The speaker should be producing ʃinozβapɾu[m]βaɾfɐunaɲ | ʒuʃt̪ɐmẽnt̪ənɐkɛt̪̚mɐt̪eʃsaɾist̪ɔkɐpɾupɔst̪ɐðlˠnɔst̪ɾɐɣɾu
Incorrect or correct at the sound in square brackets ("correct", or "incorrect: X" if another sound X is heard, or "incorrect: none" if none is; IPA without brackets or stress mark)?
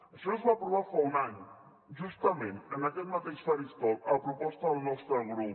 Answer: incorrect: none